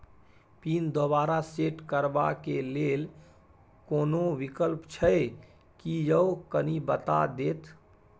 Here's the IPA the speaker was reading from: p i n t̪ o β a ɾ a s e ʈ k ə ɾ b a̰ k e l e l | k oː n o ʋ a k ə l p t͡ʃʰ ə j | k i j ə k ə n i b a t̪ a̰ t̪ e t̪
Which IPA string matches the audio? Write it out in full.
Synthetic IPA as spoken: p i n d̪ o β a ɾ a s e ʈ k ə ɾ b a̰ k e l e l | k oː n o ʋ i k ə l p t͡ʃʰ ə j | k i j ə k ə n i b ə t̪ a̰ d̪ e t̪

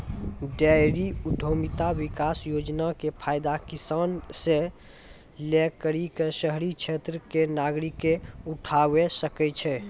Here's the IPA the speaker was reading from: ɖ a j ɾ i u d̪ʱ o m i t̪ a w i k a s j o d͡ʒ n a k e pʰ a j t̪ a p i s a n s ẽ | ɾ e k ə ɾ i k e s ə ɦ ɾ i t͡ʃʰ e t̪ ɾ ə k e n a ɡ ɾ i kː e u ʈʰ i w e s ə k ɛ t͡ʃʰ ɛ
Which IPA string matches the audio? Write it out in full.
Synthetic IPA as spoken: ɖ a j ɾ i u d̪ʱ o m i t̪ a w i k a s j o d͡ʒ n a k e pʰ a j d̪ a k i s a n s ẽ | l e k ə ɾ i k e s ə ɦ ɾ i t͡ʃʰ e t̪ ɾ ə k e n a ɡ ɾ i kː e u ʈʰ a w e s ə k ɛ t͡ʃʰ ɛ

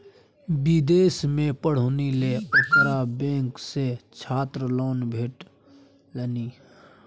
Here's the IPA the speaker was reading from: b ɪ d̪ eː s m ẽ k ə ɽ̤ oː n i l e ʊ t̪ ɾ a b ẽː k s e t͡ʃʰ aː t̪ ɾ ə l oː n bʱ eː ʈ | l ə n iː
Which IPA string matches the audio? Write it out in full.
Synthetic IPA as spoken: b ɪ d̪ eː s m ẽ p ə ɽ̤ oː n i l e ʊ t̪ ɾ a b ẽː k s e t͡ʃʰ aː t̪ ɾ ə l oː n bʱ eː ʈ | l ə n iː

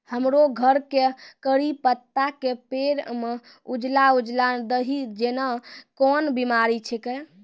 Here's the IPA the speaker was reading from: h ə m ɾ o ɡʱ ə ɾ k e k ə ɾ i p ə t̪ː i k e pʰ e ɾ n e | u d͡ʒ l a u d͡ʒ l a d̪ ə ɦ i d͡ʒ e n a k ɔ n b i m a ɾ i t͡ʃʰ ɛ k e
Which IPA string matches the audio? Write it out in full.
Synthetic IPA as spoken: h ə m ɾ o ɡʱ ə ɾ k e k ə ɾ i p ə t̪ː a k e p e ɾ m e | u d͡ʒ l a u d͡ʒ l a d̪ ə ɦ i d͡ʒ e n a k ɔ n b i m a ɾ i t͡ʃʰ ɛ k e

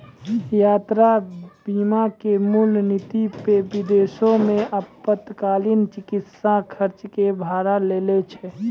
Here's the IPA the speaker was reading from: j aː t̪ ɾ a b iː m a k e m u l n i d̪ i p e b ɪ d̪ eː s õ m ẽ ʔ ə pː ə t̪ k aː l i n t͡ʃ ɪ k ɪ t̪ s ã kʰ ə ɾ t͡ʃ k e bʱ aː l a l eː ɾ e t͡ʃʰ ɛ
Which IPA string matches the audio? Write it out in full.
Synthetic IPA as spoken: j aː t̪ ɾ a b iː m a k e m u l n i t̪ i p e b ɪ d̪ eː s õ m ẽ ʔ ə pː ə t̪ k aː l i n t͡ʃ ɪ k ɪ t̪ s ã kʰ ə ɾ t͡ʃ k e bʱ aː ɾ a l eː l e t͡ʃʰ ɛ

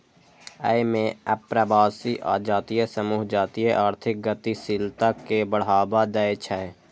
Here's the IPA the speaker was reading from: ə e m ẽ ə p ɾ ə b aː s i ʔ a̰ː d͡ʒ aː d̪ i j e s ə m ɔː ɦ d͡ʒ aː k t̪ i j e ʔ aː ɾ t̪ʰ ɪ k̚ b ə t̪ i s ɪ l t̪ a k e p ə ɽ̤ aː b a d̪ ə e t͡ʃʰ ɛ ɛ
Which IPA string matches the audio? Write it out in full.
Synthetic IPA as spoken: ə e m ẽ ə p ɾ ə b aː s i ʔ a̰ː d͡ʒ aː t̪ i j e s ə m uː ɦ d͡ʒ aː t̪ i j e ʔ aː ɾ t̪ʰ ɪ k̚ ɡ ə t̪ i s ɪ l t̪ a k e b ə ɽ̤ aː b a d̪ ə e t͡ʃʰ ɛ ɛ

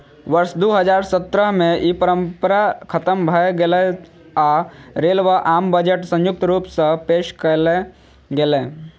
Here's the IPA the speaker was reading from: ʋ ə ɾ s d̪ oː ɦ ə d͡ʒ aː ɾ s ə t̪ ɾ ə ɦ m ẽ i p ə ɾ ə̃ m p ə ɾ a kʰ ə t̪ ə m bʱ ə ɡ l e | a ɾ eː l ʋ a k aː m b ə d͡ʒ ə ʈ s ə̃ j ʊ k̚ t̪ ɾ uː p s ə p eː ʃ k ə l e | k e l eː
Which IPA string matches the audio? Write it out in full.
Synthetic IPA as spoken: ʋ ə ɾ s d̪ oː ɦ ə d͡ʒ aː ɾ s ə t̪ ɾ ə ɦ m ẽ i p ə ɾ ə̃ m p ə ɾ a kʰ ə t̪ ə m bʱ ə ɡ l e | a ɾ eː l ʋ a ʔ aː m b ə d͡ʒ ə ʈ s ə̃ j ʊ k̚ t̪ ɾ uː p s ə p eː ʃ k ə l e | ɡ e l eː

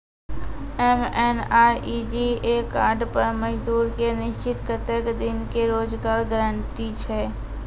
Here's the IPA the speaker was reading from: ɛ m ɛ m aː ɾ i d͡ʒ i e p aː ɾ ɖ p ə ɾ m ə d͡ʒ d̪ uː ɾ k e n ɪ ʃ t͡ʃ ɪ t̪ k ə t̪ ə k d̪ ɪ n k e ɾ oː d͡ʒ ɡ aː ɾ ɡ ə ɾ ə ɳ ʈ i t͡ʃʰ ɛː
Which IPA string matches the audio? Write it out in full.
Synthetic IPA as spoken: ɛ m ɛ n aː ɾ i d͡ʒ i e k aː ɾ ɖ p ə ɾ m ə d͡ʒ d̪ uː ɾ k e n ɪ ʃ t͡ʃ ɪ t̪ k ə t̪ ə k d̪ ɪ n k e ɾ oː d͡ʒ ɡ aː ɾ ɡ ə ɾ ə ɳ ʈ i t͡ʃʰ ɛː

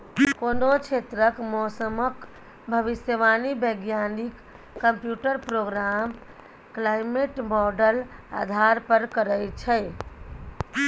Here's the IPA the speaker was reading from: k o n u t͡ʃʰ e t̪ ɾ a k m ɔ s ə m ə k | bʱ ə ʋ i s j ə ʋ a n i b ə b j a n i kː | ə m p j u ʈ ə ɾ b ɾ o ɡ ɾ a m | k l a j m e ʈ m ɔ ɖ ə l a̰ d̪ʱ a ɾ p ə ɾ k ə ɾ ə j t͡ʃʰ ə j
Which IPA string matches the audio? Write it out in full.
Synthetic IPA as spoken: k o n o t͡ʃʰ e t̪ ɾ ə k m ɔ s ə m ə k | bʱ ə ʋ i s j ə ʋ a n i b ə ɡ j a n i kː | ə m p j u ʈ ə ɾ p ɾ o ɡ ɾ a m | k l a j m e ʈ m ɔ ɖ ə l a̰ d̪ʱ a ɾ p ə ɾ k ə ɾ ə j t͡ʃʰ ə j

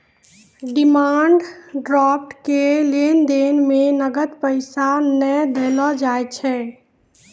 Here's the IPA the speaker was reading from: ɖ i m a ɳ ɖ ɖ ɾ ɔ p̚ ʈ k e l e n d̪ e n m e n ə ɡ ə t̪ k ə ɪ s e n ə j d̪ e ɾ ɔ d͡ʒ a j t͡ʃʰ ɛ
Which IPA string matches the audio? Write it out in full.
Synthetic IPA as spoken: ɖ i m a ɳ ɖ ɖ ɾ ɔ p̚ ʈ k e l e n d̪ e n m e n ə ɡ ə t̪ p ə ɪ s a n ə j d̪ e l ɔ d͡ʒ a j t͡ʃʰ ɛ

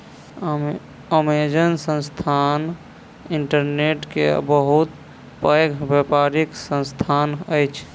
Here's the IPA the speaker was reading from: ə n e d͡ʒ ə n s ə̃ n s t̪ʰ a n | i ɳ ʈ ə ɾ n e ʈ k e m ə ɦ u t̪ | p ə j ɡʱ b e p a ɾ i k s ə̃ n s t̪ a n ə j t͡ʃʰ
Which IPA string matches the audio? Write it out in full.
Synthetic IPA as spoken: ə m e d͡ʒ ə n s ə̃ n s t̪ʰ a n | i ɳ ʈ ə ɾ n e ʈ k e b ə ɦ u t̪ | p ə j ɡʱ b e p a ɾ i k s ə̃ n s t̪ʰ a n ə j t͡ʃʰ

